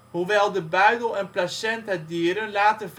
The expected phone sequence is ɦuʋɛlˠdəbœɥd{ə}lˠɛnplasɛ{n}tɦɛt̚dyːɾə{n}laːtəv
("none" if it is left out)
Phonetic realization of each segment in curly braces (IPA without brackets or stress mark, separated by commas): ə, n, n